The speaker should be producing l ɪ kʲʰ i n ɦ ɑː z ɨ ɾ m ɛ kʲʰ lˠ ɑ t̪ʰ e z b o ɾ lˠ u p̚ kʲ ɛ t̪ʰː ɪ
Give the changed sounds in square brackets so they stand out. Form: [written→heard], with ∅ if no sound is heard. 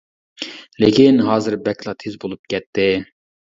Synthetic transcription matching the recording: l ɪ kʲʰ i n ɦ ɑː z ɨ ɾ [m→b] ɛ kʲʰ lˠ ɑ t̪ʰ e z b o [ɾ→∅] lˠ u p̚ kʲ ɛ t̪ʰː ɪ